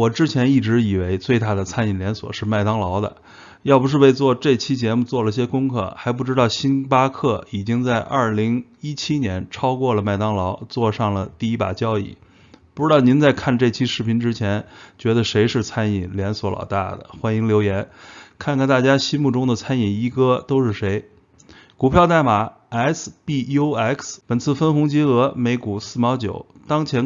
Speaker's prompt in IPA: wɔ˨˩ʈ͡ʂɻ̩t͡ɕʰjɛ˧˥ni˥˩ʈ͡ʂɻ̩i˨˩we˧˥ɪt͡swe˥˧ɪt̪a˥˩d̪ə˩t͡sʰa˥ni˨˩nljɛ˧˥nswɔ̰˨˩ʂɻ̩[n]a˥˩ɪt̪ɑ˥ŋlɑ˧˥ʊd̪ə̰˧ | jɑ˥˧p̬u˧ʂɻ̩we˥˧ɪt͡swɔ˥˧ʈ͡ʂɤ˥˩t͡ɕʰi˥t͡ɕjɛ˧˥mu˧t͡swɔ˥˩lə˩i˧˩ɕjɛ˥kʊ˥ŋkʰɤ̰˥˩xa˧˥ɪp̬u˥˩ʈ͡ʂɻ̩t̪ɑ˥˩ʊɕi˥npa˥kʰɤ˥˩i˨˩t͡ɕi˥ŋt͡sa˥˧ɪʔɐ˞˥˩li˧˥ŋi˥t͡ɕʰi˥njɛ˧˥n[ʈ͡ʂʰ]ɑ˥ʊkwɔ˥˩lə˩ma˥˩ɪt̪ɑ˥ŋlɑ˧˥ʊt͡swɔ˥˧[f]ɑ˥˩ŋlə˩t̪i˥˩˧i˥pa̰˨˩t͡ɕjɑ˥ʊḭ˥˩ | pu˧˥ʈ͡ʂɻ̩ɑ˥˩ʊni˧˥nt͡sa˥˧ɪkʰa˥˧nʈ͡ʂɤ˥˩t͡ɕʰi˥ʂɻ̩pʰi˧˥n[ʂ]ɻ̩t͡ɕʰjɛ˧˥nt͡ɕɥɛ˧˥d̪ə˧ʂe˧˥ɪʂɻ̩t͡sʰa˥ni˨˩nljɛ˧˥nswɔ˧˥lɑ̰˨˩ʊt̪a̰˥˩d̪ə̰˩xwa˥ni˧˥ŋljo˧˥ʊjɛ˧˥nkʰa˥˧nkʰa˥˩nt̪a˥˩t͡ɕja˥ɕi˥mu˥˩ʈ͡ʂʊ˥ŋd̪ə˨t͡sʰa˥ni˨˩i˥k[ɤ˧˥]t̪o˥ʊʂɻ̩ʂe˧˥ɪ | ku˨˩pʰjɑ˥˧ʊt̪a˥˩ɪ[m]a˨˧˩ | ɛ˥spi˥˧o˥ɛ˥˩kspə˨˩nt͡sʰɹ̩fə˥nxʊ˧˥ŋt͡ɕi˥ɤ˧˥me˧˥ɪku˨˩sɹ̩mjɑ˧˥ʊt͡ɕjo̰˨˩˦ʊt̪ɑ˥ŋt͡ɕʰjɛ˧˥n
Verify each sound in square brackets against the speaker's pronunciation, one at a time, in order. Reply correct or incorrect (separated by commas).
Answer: incorrect, correct, incorrect, incorrect, incorrect, correct